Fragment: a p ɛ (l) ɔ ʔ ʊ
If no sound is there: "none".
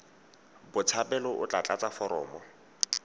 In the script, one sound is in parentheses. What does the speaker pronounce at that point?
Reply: l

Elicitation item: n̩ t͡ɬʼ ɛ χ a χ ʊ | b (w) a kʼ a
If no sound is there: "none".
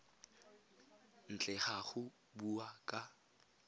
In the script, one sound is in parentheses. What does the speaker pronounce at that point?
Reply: u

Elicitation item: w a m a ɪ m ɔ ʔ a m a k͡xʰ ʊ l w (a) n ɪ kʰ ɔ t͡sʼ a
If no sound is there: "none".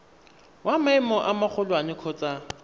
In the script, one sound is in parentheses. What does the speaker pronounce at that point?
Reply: a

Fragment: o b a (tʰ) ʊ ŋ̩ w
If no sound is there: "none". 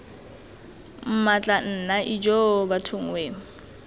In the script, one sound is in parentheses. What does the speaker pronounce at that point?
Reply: tʰ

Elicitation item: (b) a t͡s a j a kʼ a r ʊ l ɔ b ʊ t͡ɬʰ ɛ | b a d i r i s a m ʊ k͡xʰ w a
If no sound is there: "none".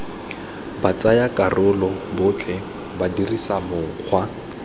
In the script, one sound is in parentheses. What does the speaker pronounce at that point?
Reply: b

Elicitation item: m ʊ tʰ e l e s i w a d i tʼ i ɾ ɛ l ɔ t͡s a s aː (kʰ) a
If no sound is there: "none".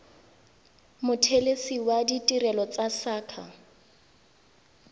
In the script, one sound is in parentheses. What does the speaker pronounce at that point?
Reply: kʰ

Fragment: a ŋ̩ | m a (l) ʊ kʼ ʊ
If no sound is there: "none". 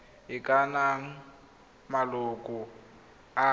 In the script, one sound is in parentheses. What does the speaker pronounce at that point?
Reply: l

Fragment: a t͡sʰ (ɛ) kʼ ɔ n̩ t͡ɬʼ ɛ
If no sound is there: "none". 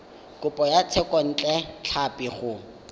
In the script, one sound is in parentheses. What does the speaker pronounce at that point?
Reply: ɛ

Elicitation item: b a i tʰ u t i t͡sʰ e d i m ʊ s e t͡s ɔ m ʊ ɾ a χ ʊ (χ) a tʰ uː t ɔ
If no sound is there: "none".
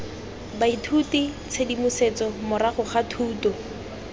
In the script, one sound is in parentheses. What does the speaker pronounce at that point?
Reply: χ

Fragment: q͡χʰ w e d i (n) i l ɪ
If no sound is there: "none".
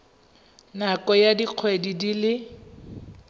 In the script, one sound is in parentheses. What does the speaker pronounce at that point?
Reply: d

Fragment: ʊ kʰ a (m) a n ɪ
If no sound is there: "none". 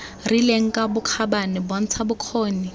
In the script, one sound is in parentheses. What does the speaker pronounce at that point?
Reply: b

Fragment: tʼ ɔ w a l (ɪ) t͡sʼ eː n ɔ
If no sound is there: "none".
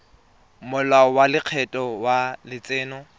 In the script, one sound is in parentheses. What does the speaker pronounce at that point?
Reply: ɪ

